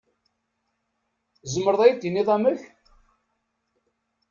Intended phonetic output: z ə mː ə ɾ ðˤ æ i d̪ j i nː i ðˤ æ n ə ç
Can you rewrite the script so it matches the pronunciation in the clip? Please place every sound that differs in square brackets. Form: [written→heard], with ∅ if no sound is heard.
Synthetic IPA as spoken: z ə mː ə ɾ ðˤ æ [i→j] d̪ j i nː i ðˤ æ [n→m] ə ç

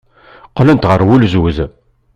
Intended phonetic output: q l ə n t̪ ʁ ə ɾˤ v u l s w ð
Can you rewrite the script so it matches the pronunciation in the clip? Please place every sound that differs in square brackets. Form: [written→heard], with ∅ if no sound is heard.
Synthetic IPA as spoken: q l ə n t̪ ʁ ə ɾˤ [v→w] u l [s→z] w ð

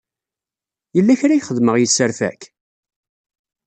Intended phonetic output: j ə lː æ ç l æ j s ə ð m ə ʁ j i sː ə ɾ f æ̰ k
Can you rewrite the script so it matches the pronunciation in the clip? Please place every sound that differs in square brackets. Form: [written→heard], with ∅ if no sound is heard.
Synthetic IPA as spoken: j ə lː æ ç [l→ɾ] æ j [s→χ] ə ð m ə ʁ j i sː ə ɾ f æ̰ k

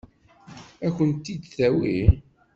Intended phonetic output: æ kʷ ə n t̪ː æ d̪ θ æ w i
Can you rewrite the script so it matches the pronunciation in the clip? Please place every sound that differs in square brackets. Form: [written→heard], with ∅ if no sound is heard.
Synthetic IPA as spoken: æ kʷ ə n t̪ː [æ→i] d̪ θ æ w i

